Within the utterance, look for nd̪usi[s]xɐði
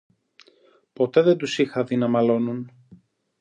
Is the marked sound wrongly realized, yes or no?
yes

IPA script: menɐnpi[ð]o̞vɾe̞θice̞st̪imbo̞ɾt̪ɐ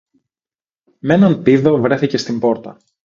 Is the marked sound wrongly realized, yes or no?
no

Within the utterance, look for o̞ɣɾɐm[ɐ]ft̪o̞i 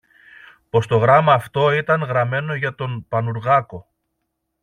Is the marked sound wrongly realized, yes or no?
yes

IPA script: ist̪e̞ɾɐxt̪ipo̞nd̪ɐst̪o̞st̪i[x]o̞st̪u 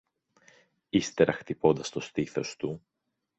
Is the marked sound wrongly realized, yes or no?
yes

